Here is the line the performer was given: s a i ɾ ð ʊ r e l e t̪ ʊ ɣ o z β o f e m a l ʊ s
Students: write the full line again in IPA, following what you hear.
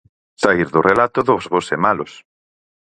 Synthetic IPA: s a i ɾ ð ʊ r e l a t̪ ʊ ð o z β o s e m a l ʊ s